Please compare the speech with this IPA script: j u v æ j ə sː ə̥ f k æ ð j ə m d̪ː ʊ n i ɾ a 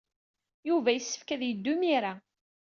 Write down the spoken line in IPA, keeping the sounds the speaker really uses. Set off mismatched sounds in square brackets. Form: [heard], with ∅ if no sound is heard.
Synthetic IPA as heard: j u v æ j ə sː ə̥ f k æ ð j ə [∅] d̪ː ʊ [m] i ɾ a